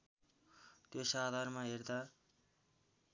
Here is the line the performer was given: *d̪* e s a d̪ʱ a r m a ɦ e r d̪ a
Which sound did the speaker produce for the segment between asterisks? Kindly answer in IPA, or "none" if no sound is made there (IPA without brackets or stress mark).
t̪